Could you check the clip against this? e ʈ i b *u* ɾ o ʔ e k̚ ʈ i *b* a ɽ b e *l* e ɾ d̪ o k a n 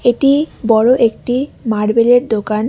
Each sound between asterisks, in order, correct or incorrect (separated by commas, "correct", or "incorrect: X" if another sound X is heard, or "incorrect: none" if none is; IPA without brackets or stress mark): incorrect: ɔ, incorrect: m, correct